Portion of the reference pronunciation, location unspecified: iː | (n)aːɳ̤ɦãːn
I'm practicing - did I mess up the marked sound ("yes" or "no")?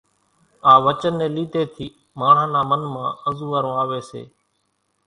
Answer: yes